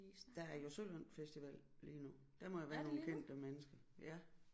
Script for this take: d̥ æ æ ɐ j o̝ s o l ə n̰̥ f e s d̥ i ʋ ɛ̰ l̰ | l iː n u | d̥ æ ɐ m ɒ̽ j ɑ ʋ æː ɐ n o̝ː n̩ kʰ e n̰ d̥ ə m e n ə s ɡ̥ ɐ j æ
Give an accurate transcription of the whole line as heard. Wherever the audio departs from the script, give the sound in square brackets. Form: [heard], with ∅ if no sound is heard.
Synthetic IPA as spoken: d̥ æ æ ɐ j o̝ s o l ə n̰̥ f e s d̥ i ʋ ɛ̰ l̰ | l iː n u | d̥ æ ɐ m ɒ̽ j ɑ ʋ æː ɐ n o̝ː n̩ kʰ e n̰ d̥ ə m e n ə s ɡ̥ ɐ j æ